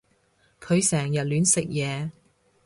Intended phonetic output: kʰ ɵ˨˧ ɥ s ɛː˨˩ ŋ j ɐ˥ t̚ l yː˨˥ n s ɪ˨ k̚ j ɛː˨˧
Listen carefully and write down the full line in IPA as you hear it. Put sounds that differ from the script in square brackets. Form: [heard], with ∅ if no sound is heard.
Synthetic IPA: kʰ ɵ˨˧ ɥ s ɛː˨˩ ŋ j [ɐ˨] t̚ l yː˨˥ n s ɪ˨ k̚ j ɛː˨˧